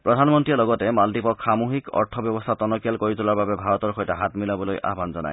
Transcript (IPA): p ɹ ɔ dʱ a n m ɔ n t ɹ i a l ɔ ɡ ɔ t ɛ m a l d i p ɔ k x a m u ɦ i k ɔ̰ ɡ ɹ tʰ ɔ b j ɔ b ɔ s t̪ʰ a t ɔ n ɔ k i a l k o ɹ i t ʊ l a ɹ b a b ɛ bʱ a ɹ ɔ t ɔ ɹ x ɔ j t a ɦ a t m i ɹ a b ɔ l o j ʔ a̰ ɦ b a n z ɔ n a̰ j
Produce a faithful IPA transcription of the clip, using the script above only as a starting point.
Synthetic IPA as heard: p ɹ ɔ dʱ a n m ɔ n t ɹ i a l ɔ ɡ ɔ t ɛ m a l d i p ɔ k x a m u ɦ i k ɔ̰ ɹ tʰ ɔ b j ɔ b ɔ s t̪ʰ a t ɔ n ɔ k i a l k o ɹ i t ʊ l a ɹ b a b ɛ bʱ a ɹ ɔ t ɔ ɹ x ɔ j t a ɦ a t m i l a b ɔ l o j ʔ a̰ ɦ b a n z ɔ n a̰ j